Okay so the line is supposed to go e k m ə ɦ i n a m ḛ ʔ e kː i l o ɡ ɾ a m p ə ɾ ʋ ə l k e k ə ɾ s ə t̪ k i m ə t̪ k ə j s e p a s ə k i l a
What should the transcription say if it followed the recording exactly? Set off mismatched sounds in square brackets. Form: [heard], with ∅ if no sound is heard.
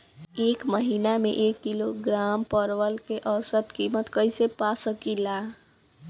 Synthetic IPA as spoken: e k m ə ɦ i n a m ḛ ʔ e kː i l o ɡ ɾ a m p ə ɾ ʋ ə l k e [ʔ] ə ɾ s ə t̪ k i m ə t̪ k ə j s e p a s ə k i l a